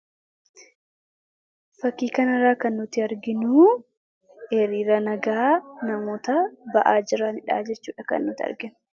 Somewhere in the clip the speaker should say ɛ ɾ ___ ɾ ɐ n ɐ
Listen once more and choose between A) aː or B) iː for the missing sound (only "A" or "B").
B